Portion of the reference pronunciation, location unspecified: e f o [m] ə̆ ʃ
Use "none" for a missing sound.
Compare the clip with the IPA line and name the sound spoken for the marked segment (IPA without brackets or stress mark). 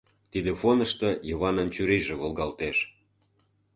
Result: n